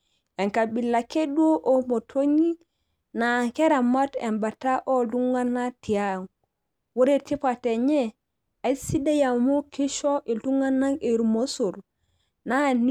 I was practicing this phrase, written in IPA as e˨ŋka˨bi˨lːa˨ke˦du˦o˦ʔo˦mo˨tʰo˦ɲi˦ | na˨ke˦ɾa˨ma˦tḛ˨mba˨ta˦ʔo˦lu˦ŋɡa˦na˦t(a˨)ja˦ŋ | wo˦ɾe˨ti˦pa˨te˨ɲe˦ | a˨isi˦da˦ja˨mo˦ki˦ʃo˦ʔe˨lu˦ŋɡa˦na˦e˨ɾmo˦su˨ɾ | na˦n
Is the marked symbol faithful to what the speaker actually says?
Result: no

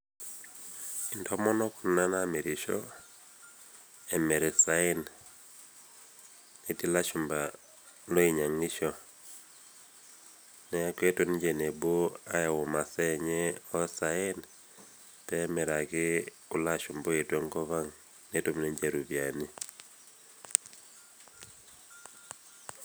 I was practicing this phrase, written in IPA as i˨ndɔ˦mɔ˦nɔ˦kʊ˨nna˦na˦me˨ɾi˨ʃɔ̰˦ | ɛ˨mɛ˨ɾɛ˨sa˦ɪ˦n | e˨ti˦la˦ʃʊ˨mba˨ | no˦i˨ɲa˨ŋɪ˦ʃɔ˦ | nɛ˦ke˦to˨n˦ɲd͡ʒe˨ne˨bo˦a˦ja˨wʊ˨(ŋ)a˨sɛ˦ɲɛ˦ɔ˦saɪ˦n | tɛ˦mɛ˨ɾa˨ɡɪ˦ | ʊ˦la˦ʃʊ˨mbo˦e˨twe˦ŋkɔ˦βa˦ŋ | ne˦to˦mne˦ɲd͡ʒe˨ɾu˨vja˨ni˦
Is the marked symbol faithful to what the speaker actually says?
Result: no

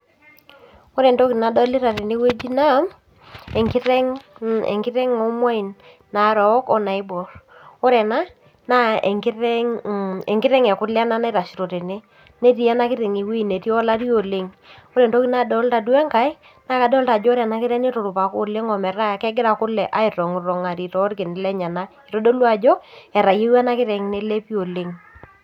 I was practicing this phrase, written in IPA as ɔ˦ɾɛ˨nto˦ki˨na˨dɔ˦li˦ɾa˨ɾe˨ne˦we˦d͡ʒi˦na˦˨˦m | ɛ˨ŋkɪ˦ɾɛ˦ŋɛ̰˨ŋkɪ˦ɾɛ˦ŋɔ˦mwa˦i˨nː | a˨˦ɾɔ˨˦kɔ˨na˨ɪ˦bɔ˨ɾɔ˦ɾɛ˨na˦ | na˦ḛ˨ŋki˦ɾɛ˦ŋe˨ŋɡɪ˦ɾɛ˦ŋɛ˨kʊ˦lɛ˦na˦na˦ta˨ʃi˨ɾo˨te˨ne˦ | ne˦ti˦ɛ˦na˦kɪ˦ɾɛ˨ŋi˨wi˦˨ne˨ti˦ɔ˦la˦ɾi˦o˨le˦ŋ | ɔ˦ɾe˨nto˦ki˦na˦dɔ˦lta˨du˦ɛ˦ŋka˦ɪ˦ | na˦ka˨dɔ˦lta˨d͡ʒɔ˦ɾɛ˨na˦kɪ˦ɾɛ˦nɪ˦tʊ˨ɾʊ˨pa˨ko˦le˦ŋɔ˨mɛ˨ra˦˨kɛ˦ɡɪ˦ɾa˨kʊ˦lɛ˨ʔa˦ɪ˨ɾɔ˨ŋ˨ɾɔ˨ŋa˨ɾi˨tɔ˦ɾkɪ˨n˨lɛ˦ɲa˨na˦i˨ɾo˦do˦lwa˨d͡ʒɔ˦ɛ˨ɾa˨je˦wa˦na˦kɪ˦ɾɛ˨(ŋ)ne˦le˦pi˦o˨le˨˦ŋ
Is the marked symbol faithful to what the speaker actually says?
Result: yes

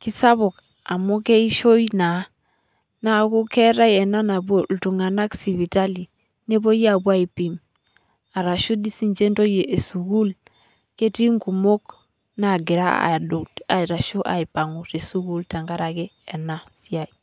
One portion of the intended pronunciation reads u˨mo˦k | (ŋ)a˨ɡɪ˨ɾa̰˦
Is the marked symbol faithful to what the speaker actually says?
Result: no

